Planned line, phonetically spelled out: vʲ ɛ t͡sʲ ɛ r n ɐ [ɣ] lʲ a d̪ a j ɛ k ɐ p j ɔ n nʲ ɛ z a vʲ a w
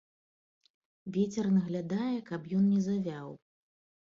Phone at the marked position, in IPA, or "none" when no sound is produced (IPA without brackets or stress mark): ɣ